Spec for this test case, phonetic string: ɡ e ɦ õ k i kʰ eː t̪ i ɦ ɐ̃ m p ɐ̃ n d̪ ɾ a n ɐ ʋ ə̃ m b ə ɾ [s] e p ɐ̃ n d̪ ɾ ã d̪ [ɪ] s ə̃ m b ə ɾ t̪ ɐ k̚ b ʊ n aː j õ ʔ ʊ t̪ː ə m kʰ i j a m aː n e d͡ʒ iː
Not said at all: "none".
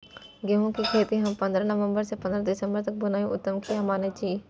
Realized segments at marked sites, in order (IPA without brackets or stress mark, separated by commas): s, ɪ